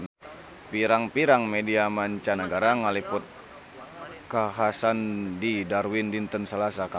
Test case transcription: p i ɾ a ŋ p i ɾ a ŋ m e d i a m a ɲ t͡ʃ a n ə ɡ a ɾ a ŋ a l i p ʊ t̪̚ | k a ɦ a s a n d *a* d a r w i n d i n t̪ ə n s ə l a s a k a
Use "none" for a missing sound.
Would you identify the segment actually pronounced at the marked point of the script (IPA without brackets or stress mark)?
i